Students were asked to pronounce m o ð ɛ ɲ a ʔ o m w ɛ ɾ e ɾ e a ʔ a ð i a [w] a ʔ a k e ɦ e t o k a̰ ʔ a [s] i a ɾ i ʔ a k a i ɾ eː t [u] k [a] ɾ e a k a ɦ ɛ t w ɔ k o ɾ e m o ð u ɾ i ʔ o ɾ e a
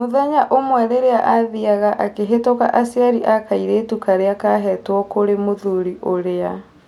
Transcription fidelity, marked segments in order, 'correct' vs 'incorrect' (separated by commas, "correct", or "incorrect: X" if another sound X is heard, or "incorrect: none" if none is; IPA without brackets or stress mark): incorrect: ɣ, correct, correct, correct